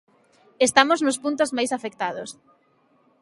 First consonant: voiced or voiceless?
voiceless